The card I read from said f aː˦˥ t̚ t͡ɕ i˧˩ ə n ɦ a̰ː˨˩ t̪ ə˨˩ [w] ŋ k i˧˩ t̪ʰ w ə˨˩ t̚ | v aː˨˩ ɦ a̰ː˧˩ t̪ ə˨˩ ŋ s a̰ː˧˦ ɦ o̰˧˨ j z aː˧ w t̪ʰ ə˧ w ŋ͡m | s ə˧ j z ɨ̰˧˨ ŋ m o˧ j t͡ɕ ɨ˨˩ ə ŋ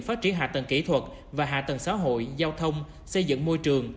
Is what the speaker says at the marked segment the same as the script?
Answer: no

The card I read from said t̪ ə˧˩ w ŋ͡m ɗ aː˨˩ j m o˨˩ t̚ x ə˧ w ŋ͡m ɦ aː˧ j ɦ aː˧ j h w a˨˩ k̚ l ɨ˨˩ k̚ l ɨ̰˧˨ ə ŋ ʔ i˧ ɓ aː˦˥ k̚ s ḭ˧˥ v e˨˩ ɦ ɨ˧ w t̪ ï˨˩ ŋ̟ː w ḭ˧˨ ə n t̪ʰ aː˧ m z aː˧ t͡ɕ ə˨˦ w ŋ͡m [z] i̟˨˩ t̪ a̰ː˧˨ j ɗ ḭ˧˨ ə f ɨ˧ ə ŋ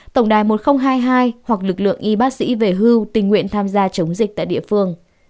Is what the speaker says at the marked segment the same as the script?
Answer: yes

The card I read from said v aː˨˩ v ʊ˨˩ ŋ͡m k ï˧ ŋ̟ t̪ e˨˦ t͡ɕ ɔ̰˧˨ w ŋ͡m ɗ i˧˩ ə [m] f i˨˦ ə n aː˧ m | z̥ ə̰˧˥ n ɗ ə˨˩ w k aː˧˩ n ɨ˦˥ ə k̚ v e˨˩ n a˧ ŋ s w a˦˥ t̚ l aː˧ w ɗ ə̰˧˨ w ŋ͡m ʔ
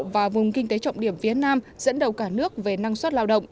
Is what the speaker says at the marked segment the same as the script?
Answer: yes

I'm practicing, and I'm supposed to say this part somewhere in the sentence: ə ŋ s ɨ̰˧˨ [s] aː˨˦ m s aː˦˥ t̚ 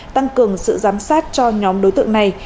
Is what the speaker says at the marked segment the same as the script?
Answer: no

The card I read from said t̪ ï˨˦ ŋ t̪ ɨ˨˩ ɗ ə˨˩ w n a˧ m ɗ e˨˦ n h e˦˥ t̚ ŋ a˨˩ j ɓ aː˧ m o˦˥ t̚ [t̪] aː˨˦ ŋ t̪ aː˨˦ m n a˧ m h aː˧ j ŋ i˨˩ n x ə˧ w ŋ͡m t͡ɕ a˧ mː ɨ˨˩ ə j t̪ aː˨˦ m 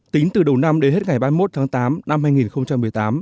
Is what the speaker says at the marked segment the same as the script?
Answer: no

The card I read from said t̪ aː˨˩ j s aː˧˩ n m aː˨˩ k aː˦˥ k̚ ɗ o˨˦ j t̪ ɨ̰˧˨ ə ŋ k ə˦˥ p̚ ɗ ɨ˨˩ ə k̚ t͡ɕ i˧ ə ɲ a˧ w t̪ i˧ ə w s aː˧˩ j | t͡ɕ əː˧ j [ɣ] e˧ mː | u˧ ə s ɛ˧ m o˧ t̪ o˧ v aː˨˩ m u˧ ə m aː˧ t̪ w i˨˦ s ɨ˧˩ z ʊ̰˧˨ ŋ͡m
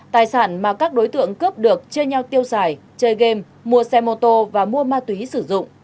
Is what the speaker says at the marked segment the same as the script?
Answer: yes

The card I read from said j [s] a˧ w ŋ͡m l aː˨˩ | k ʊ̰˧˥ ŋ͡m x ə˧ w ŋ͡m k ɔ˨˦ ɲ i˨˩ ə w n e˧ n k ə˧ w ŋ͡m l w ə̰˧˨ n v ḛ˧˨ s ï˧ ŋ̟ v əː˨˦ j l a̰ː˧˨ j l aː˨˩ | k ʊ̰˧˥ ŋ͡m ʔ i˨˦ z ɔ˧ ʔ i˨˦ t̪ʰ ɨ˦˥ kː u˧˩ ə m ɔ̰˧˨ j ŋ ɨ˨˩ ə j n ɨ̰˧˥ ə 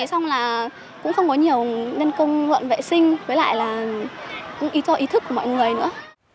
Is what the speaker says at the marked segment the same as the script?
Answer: yes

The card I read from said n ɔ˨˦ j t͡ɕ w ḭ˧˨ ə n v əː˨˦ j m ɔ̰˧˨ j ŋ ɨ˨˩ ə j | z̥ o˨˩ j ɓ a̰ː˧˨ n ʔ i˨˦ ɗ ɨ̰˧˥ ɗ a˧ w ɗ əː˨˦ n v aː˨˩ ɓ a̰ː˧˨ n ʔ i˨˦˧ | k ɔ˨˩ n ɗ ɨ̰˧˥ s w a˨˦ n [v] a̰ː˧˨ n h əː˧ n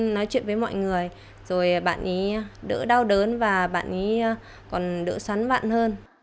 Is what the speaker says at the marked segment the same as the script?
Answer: yes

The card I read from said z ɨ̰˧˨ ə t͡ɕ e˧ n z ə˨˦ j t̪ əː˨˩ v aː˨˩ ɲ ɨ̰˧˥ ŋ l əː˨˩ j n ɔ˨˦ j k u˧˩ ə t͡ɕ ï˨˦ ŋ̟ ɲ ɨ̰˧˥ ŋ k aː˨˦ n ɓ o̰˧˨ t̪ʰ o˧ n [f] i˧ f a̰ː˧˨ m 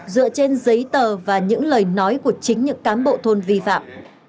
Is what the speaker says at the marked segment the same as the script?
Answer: no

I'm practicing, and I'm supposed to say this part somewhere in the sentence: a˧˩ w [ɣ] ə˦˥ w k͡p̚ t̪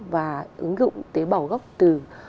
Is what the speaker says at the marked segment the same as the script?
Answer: yes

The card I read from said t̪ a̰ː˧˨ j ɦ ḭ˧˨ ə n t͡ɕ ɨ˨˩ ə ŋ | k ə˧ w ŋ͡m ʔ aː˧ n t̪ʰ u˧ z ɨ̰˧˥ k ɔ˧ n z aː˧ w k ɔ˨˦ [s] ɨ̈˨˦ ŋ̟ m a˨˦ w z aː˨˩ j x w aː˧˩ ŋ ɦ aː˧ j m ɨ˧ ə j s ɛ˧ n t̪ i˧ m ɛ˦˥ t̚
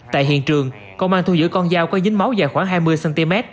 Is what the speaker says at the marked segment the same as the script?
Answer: no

